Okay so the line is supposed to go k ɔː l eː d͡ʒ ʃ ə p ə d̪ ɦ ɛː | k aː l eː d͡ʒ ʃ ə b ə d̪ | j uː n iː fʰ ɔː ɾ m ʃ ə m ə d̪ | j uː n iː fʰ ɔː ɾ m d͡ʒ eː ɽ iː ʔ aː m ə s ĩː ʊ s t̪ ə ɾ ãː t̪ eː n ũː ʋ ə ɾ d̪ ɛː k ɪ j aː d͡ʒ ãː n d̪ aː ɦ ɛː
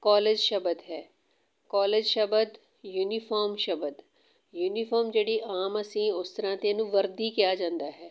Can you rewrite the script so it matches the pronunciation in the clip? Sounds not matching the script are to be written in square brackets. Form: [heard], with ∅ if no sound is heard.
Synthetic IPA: k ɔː l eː d͡ʒ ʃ ə [b] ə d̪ ɦ ɛː | k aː l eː d͡ʒ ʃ ə b ə d̪ | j uː n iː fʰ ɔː ɾ m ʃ ə [b] ə d̪ | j uː n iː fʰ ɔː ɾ m d͡ʒ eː ɽ iː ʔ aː m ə s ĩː ʊ s t̪ ə ɾ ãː t̪ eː n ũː ʋ ə ɾ d̪ [iː] k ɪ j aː d͡ʒ ãː n d̪ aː ɦ ɛː